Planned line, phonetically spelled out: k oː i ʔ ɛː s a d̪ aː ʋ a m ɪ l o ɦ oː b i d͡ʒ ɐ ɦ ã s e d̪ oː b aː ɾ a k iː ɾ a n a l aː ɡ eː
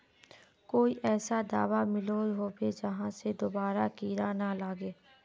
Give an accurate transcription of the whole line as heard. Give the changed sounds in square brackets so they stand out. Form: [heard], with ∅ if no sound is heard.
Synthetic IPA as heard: k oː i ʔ ɛː s a d̪ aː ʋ a m ɪ l o ɦ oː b [e] d͡ʒ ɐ ɦ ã s e d̪ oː b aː ɾ a k iː ɾ a n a l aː ɡ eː